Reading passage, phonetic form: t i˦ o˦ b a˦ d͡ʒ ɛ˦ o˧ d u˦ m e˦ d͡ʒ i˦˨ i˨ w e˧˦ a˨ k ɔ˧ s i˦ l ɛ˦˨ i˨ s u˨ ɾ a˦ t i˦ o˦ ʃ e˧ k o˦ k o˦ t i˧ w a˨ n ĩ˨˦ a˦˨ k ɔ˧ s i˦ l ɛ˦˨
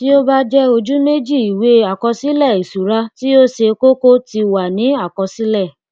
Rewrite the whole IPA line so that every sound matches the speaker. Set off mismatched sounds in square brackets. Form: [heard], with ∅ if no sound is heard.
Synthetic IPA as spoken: t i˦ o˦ b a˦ d͡ʒ ɛ˦ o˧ [d͡ʒ] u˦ m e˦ d͡ʒ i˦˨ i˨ w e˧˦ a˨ k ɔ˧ s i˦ l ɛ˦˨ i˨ s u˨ ɾ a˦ t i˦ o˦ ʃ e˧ k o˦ k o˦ t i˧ w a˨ n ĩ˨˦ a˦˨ k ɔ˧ s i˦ l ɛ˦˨